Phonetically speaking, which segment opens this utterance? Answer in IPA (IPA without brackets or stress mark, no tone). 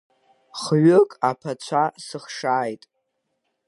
χ